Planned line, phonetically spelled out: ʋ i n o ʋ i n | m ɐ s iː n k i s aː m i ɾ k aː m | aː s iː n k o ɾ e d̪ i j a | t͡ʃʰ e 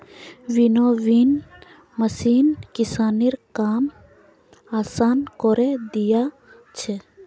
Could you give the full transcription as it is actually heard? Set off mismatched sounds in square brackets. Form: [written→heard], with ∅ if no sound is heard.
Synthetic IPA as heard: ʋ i n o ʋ i n | m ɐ s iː n k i s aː [m→n] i ɾ k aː m | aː s [iː→aː] n k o ɾ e d̪ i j a | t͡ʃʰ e